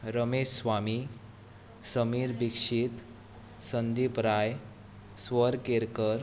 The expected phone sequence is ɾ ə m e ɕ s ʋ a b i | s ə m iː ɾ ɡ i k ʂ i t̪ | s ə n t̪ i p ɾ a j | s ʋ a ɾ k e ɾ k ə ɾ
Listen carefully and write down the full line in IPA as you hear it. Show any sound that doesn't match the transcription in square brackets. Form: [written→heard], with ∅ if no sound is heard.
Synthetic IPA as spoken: ɾ ə m e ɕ s ʋ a [b→m] i | s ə m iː ɾ [ɡ→b] i k ʂ i t̪ | s ə n [t̪→d̪] i p ɾ a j | s ʋ [a→ə] ɾ k e ɾ k ə ɾ